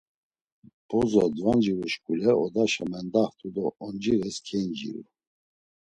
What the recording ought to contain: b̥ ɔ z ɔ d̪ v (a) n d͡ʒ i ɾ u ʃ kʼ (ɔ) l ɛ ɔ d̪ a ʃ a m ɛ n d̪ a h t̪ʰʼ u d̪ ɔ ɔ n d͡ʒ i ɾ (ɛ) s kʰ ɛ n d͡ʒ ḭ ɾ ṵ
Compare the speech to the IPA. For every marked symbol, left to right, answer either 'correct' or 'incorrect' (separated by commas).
correct, incorrect, correct